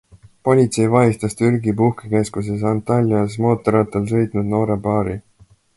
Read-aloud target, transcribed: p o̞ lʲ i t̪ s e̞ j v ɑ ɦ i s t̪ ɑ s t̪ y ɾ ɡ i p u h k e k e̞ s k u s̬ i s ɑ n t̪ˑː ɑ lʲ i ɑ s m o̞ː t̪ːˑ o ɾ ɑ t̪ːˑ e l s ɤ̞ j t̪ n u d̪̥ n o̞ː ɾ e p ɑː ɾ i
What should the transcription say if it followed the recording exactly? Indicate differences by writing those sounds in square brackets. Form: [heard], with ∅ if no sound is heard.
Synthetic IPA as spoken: p o̞ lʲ i t̪ s e̞ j v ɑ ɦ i s t̪ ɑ s t̪ y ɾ ɡ i p u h k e k e̞ s k u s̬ [e] s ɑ n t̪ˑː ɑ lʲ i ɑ s m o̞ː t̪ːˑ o ɾ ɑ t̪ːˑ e l s ɤ̞ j t̪ n u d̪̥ n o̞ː ɾ e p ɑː ɾ i